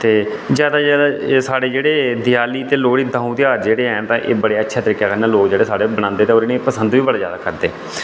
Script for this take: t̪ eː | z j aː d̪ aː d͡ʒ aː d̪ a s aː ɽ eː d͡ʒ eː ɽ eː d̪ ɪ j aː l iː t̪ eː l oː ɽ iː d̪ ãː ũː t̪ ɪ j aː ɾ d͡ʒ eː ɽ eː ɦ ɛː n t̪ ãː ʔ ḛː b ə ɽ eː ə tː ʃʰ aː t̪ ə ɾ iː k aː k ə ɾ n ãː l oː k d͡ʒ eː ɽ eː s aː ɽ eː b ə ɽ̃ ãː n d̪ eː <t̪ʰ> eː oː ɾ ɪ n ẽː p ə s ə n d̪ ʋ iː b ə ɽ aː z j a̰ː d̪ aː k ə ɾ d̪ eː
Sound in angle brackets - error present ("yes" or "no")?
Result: yes